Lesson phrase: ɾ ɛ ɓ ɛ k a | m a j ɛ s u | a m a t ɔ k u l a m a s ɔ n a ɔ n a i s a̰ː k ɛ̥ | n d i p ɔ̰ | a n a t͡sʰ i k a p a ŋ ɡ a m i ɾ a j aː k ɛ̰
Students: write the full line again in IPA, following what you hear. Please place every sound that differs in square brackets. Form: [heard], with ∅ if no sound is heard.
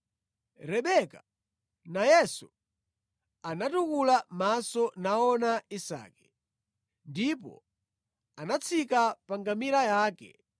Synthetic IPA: ɾ ɛ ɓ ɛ k a | [n] a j ɛ s u | a [n] a t [u] k u l a m a s ɔ n a ɔ n a i s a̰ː k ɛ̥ | n d i p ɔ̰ | a n a t͡sʰ i k a p a ŋ ɡ a m i ɾ a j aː k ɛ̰

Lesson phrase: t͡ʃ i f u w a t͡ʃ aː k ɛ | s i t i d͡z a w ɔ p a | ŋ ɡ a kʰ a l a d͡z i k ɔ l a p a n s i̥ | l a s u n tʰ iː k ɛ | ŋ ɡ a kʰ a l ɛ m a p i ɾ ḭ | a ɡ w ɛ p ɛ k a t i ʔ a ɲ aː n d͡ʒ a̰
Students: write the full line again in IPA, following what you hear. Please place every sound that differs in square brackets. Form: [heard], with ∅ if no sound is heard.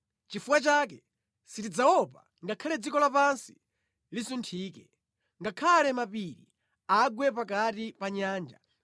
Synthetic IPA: t͡ʃ i f u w a t͡ʃ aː k ɛ | s i t i d͡z a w ɔ p a | ŋ ɡ a kʰ a l [ɛ] d͡z i k ɔ l a p a n s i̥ | l [i] s u n tʰ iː k ɛ | ŋ ɡ a kʰ a l ɛ m a p i ɾ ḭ | a ɡ w ɛ p [a] k a t i [p] a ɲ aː n d͡ʒ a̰

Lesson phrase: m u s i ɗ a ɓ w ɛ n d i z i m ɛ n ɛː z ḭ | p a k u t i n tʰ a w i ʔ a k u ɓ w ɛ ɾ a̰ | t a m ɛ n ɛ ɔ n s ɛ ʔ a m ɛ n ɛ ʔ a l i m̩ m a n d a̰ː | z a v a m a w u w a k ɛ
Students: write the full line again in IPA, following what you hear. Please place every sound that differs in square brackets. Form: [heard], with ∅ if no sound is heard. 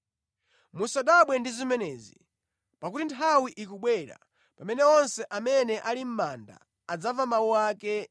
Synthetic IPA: m u s [a] ɗ a ɓ w ɛ n d i z i m ɛ n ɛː z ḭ | p a k u t i n tʰ a w i ʔ [i] k u ɓ w ɛ ɾ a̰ | [p] a m ɛ n ɛ ɔ n s ɛ ʔ a m ɛ n ɛ ʔ a l i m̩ m a n d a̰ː | [d͡z] a v a m a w u w a k ɛ

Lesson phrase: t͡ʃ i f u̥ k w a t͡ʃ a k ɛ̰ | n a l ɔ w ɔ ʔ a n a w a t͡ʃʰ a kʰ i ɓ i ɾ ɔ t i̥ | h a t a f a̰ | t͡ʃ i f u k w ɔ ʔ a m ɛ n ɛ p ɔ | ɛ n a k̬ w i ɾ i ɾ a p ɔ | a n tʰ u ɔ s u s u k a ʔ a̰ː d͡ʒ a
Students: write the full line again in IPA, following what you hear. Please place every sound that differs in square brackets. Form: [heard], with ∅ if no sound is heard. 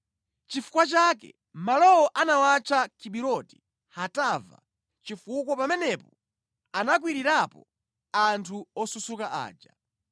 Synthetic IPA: t͡ʃ i f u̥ k w a t͡ʃ a k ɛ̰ | [m] a l ɔ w ɔ ʔ a n a w a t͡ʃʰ a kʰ i ɓ i ɾ ɔ t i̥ | h a t a [v] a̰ | t͡ʃ i f u k w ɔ [p] a m ɛ n ɛ p ɔ | [a] n a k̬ w i ɾ i ɾ a p ɔ | a n tʰ u ɔ s u s u k a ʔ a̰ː d͡ʒ a

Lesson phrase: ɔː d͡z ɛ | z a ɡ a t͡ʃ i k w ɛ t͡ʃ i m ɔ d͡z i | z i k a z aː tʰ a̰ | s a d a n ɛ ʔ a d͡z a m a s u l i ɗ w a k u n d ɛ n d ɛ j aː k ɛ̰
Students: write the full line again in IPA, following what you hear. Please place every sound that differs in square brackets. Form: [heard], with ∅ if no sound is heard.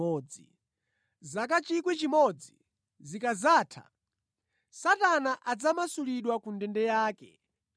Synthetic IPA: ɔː d͡z [i] | z a [k] a t͡ʃ i k w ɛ t͡ʃ i m ɔ d͡z i | z i k a z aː tʰ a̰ | s a [t] a n [a] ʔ a d͡z a m a s u l i ɗ w a k u n d ɛ n d ɛ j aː k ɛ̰

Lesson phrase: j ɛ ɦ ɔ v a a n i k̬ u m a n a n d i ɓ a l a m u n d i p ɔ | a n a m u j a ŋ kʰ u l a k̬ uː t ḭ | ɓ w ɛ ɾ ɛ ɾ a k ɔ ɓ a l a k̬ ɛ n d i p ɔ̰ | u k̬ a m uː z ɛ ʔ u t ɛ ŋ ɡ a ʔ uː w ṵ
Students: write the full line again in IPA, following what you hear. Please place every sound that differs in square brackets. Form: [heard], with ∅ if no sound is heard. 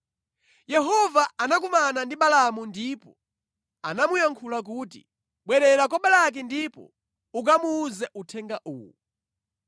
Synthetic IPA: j ɛ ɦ ɔ v a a n [a] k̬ u m a n a n d i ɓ a l a m u n d i p ɔ | a n a m u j a ŋ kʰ u l a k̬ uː t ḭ | ɓ w ɛ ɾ ɛ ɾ a k ɔ ɓ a l a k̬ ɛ n d i p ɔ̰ | u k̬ a m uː z ɛ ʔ u [tʰ] ɛ ŋ ɡ a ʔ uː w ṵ

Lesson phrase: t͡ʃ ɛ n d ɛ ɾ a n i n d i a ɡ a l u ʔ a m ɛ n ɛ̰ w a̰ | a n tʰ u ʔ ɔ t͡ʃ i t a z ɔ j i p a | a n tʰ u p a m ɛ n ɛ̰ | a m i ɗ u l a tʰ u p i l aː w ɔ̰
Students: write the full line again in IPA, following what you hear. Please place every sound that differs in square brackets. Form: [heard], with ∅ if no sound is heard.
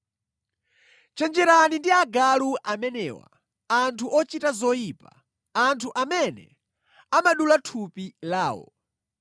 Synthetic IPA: t͡ʃ ɛ n [d͡ʒ] ɛ ɾ a n i n d i a ɡ a l u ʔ a m ɛ n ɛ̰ w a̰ | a n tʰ u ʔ ɔ t͡ʃ i t a z ɔ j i p a | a n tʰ u [ʔ] a m ɛ n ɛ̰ | a m [a] ɗ u l a tʰ u p i l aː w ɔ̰

